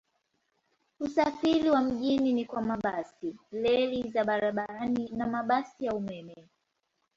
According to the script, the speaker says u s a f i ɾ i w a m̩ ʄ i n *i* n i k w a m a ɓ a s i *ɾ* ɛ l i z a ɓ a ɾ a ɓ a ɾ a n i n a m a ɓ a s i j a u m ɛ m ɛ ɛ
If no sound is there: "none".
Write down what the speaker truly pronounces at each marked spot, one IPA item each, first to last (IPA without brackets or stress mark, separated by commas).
i, l